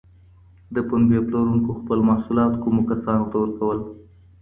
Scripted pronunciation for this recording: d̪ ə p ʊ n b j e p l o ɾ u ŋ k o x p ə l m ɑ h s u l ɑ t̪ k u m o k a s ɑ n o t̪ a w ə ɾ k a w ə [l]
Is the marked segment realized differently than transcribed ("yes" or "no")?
no